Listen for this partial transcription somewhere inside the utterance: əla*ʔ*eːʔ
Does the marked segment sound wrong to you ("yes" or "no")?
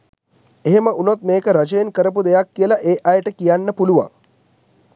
no